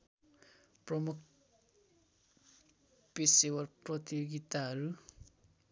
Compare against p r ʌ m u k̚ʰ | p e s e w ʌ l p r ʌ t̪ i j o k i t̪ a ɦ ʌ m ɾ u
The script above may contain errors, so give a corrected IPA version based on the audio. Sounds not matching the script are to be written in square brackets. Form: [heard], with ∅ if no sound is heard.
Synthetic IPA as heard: p r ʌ m u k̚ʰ | p e s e w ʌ [r] p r ʌ t̪ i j o [ɡ] i t̪ a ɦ ʌ [∅] ɾ u